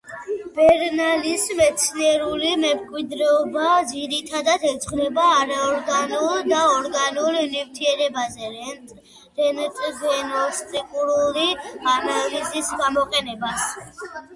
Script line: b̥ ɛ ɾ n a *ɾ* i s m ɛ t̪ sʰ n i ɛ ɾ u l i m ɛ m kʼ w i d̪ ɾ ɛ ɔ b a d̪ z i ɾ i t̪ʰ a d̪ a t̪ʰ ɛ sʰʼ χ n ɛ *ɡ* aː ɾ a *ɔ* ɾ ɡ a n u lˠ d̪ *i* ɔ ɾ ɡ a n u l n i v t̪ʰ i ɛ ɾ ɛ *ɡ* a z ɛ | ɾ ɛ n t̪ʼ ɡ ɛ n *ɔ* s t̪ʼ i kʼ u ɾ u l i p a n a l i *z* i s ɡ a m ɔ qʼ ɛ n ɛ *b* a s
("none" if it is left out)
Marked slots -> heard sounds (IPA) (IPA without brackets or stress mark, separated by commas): l, b, ɔ, a, b, ɔ, z, b